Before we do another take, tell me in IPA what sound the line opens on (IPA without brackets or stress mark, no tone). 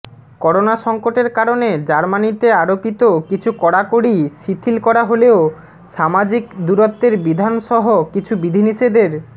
k